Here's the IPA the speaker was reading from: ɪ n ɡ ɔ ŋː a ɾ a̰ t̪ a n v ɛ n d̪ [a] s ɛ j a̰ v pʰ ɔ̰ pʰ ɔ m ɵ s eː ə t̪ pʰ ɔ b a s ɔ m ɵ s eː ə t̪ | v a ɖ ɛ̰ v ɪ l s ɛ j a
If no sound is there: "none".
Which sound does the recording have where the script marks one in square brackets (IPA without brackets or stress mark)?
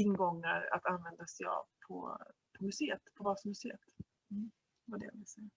a